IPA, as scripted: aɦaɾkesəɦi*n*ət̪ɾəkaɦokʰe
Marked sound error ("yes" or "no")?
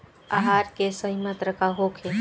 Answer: yes